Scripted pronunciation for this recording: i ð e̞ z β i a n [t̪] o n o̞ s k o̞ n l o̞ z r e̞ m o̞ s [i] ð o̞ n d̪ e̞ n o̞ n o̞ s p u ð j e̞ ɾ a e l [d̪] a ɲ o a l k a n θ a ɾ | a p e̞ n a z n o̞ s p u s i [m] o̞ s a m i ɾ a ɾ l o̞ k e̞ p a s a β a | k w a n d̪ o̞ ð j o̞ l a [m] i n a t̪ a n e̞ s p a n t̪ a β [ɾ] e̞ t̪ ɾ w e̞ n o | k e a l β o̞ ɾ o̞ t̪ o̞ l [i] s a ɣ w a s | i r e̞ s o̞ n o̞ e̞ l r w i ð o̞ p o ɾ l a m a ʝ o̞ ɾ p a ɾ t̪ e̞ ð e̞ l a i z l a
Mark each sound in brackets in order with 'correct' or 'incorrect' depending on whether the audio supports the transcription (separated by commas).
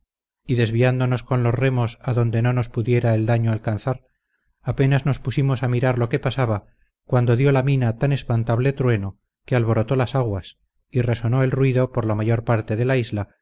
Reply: incorrect, incorrect, correct, correct, correct, incorrect, incorrect